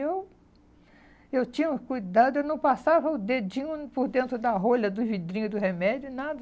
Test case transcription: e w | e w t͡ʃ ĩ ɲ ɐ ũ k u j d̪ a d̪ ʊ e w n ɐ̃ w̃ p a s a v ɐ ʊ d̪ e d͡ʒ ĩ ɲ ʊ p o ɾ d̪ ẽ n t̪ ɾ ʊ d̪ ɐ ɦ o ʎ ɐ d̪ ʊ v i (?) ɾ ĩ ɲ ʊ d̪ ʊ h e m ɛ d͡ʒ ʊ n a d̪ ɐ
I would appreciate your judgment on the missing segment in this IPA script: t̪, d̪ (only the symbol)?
d̪